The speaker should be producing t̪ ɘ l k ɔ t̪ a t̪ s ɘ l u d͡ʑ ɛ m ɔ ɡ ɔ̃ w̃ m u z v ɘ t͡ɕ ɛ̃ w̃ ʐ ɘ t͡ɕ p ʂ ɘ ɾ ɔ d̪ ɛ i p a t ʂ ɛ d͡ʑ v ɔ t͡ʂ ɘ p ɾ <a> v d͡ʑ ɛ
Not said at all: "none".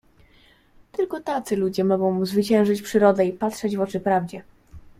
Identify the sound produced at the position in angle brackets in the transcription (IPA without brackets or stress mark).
a